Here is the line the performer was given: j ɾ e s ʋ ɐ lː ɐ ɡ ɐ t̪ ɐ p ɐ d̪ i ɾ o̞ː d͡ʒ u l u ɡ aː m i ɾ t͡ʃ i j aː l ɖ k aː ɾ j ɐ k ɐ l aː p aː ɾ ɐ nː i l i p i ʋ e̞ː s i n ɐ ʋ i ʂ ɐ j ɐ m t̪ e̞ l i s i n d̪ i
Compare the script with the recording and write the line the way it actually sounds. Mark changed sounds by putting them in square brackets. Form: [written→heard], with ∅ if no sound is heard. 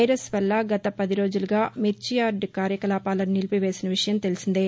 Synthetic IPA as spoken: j ɾ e s ʋ ɐ lː ɐ ɡ ɐ t̪ ɐ p ɐ d̪ i ɾ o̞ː d͡ʒ u l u ɡ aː m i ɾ t͡ʃ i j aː [l→ɾ] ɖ k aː ɾ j ɐ k ɐ l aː p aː [ɾ→l] ɐ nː i l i p i ʋ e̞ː s i n ɐ ʋ i ʂ ɐ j ɐ m t̪ e̞ l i s i n d̪ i